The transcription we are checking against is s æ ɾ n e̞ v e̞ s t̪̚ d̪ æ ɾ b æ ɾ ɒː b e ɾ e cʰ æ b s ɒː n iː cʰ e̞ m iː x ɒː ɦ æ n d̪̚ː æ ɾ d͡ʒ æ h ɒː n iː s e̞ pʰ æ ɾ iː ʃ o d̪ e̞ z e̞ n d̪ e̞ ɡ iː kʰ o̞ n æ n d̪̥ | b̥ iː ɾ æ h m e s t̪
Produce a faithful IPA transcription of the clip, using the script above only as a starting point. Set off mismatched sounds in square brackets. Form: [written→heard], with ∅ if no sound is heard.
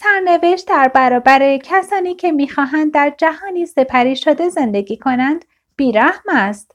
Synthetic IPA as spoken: s æ ɾ n e̞ v e̞ [s→ʃ] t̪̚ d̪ æ ɾ b æ ɾ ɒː b [e→æ] ɾ e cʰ æ [b→∅] s ɒː n iː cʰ e̞ m iː x ɒː ɦ æ n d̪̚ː æ ɾ d͡ʒ æ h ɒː n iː s e̞ pʰ æ ɾ iː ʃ o d̪ e̞ z e̞ n d̪ e̞ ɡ iː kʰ o̞ n æ n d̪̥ | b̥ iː ɾ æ h m [e→æ] s t̪